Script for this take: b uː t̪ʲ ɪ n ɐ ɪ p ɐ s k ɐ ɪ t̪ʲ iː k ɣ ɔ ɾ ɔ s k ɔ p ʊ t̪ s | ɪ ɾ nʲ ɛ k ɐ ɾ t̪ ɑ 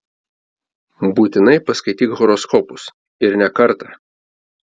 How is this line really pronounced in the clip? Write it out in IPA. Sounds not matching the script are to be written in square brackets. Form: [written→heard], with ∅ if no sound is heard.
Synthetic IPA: b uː t̪ʲ ɪ n ɐ ɪ p ɐ s k ɐ ɪ t̪ʲ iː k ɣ ɔ ɾ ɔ s k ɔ p ʊ [t̪→∅] s | ɪ ɾ nʲ ɛ k ɐ ɾ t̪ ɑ